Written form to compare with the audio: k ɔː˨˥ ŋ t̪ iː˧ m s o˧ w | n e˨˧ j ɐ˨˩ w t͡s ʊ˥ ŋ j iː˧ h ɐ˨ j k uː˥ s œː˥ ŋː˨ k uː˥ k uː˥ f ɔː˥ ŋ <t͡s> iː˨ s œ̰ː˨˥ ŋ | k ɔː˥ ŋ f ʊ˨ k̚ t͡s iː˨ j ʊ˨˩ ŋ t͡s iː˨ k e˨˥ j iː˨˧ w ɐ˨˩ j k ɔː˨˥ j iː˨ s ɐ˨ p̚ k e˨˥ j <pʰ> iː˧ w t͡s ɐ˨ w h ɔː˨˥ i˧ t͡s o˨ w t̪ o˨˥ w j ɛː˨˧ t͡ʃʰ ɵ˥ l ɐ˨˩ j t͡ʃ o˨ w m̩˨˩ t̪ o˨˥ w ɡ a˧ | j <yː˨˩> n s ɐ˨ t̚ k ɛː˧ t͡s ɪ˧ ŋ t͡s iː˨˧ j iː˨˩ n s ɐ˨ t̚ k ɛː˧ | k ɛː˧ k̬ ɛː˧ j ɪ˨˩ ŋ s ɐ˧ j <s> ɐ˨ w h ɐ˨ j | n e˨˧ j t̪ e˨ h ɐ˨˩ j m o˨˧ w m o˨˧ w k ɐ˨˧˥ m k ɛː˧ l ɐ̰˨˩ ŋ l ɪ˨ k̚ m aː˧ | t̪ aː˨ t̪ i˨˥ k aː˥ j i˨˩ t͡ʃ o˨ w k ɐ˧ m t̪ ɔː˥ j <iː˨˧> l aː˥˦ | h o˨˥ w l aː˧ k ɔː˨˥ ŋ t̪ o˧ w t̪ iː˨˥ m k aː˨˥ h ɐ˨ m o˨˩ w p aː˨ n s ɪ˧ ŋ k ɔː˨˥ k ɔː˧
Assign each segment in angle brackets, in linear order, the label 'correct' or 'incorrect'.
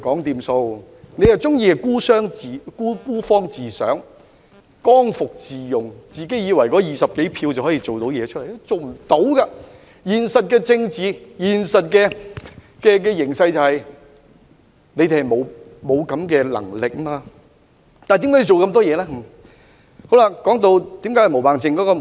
correct, correct, incorrect, incorrect, incorrect

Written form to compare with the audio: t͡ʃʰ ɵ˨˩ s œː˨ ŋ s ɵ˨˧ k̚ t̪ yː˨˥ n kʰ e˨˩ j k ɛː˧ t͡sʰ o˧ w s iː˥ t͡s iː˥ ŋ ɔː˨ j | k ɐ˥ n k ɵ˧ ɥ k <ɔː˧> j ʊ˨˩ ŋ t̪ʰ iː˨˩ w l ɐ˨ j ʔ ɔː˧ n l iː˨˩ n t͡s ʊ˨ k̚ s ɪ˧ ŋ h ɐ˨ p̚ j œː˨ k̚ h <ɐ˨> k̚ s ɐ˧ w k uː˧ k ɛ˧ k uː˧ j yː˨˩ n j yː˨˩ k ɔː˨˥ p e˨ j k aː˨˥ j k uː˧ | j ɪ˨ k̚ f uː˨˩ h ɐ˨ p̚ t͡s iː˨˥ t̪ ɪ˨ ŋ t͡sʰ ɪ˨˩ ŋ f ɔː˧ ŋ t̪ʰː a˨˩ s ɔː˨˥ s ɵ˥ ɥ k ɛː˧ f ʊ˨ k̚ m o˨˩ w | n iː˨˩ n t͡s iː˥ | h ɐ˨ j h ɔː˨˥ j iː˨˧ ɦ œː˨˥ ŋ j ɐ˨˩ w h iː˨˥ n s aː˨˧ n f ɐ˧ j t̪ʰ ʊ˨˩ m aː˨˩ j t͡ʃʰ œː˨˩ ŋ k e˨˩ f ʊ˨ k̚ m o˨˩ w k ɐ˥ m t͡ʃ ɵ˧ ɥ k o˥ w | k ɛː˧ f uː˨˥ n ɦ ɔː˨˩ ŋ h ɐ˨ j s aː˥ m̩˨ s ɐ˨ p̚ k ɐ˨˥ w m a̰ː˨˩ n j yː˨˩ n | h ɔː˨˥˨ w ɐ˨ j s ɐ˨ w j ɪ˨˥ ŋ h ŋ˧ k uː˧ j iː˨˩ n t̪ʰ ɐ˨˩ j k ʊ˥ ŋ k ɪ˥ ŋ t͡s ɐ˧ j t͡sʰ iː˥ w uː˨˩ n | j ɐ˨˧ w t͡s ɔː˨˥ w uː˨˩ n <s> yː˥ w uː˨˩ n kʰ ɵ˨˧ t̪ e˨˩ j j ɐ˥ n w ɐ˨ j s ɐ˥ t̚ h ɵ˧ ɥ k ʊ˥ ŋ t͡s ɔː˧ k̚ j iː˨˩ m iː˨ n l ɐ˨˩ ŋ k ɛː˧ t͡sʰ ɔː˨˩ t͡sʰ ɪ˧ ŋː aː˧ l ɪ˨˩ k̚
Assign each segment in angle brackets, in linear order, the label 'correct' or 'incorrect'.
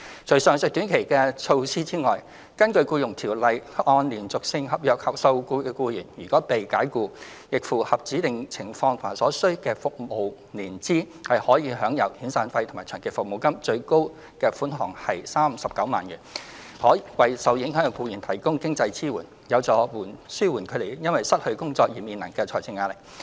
incorrect, correct, correct

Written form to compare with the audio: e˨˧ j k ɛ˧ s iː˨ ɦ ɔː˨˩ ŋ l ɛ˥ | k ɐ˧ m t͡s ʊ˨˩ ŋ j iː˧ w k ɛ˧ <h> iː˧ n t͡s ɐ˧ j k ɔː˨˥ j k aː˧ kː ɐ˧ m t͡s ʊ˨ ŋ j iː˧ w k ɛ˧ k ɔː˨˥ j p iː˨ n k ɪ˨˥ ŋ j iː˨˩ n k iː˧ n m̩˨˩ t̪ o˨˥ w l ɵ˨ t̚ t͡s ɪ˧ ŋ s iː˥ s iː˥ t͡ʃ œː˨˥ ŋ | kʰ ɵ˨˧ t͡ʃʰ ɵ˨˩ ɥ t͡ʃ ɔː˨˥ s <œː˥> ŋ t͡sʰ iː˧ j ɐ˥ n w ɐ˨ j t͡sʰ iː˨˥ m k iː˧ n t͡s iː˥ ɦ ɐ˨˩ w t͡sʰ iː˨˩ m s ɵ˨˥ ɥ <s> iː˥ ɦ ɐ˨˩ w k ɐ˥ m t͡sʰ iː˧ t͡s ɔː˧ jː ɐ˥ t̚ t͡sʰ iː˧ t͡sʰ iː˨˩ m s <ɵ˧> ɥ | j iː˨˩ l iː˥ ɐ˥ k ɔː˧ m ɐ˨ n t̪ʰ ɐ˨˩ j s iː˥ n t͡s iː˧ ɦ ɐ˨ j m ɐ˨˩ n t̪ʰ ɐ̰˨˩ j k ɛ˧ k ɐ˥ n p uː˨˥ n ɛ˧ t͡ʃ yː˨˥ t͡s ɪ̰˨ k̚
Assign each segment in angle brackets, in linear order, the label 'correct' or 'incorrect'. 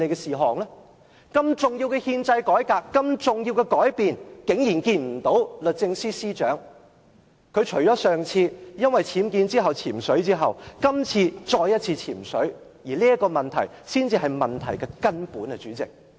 correct, incorrect, incorrect, incorrect

